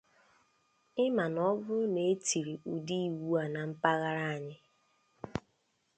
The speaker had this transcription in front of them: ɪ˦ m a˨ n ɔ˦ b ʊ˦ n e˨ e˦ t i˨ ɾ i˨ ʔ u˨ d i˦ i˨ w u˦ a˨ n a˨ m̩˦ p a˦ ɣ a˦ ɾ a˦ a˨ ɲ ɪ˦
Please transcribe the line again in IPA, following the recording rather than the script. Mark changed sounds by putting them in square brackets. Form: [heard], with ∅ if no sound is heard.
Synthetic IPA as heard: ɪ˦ m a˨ n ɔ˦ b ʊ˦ n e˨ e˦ t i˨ ɾ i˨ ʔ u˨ d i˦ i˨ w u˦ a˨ n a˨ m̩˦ p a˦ ɣ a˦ ɾ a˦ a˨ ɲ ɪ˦